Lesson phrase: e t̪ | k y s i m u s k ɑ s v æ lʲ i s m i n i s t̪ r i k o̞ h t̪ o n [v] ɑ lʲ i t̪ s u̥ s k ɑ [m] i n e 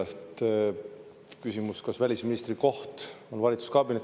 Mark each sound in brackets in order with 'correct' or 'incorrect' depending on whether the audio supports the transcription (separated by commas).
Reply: correct, incorrect